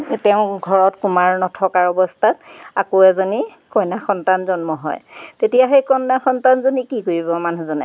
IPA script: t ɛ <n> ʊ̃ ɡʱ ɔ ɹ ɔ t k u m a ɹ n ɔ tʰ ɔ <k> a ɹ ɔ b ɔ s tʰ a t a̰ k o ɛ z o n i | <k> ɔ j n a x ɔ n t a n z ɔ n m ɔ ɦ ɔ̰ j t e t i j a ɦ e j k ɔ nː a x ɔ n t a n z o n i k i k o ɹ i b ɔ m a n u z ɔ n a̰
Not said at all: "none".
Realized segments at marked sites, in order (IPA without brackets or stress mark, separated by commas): none, k, k